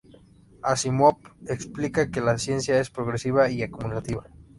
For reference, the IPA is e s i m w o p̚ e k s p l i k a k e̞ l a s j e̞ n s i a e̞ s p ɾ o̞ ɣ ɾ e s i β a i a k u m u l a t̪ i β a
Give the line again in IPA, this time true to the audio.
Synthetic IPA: a s i m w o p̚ e k s p l i k a k e̞ l a s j e̞ n s j a e̞ s p ɾ o̞ ɣ ɾ e s i β a i a k u m u l a t̪ i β a